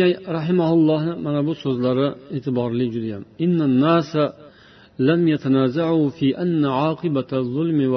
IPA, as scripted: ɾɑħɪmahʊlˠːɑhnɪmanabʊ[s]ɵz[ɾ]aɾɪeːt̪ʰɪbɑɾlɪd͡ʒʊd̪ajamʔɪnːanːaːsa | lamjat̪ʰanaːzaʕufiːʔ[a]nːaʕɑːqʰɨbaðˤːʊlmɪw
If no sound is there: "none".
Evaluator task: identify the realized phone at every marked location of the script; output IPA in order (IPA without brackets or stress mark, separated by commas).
s, l, a